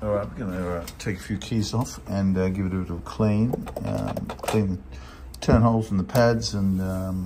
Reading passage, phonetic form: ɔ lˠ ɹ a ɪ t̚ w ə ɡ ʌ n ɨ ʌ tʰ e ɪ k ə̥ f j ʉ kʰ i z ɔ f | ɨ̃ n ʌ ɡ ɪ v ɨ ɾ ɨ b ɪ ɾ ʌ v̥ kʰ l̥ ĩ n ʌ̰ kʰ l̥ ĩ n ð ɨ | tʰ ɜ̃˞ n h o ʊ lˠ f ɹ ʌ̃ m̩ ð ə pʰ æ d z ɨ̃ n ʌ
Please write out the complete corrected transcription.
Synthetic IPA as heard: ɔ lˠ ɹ a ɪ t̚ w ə ɡ ʌ n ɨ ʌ tʰ e ɪ k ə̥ f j ʉ kʰ i z ɔ f | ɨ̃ n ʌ ɡ ɪ v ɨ ɾ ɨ b ɪ ɾ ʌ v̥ kʰ l̥ ĩ n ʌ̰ kʰ l̥ ĩ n ð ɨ | tʰ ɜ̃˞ n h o ʊ lˠ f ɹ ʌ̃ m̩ ð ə pʰ æ d z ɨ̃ n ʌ